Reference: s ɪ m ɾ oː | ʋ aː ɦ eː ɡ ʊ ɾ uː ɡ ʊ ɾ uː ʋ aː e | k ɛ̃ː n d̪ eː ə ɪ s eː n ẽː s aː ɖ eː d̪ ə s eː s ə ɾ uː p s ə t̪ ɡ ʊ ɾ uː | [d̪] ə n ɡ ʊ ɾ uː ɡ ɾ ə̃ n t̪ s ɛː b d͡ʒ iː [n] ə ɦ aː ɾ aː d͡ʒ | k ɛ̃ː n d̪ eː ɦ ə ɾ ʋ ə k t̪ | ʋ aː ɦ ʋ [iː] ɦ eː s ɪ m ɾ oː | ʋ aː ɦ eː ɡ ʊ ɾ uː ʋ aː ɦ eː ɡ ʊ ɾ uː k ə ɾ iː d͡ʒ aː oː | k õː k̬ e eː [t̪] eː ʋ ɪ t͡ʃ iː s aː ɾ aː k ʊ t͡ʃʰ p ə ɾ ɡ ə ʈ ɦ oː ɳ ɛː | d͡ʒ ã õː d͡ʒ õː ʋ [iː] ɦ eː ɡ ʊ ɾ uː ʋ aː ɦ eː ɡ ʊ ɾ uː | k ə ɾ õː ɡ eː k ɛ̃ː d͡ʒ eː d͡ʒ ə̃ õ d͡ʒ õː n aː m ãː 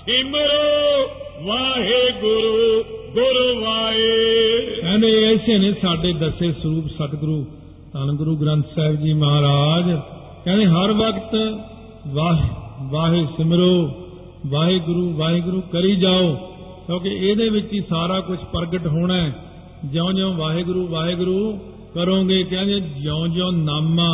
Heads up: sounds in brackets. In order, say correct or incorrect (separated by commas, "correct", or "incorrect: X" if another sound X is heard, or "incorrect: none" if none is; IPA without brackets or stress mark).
incorrect: t̪, incorrect: m, incorrect: aː, incorrect: d̪, incorrect: aː